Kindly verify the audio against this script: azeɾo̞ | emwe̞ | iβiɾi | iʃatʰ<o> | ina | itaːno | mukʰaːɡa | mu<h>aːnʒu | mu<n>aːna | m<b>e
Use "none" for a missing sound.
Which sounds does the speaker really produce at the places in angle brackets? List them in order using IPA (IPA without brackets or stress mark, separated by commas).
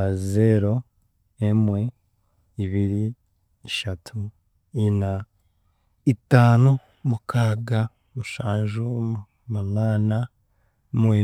u, ʃ, n, w